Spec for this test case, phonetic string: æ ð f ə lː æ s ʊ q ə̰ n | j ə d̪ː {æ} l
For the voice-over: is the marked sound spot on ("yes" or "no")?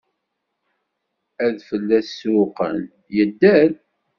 yes